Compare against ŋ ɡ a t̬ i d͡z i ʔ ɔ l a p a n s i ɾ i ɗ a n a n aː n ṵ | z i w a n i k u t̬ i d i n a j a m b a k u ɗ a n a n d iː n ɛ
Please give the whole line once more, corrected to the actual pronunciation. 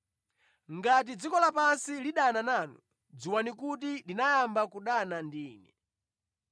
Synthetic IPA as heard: ŋ ɡ a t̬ i d͡z i k ɔ l a p a n s i l i ɗ a n a n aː n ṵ | d͡z i w a n i k u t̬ i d i n a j a m b a k u ɗ a n a n d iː n ɛ